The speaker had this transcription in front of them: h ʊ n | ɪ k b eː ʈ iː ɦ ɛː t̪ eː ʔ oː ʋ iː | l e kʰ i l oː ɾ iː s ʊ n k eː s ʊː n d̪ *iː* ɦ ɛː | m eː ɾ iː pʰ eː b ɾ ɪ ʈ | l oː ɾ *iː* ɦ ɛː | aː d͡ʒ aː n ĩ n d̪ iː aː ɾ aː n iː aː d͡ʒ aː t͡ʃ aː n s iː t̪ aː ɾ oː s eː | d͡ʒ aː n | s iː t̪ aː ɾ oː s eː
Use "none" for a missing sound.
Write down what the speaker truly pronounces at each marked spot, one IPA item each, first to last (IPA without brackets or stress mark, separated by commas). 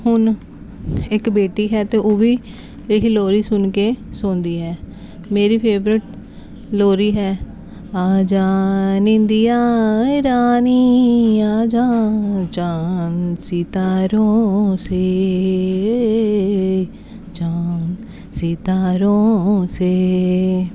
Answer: iː, iː